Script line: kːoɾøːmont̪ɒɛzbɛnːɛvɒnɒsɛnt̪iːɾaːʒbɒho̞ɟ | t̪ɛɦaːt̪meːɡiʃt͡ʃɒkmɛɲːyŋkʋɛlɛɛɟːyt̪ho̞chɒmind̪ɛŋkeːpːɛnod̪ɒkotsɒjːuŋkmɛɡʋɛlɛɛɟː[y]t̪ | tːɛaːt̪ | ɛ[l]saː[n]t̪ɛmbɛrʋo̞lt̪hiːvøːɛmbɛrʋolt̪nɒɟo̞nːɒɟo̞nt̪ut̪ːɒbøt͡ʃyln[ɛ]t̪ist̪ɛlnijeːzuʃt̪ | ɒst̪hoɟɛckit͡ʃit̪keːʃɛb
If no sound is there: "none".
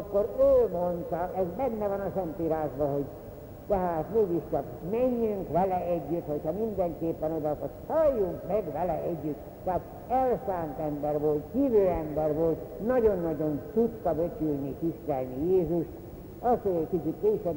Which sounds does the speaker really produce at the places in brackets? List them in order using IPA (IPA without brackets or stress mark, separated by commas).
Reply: y, l, n, i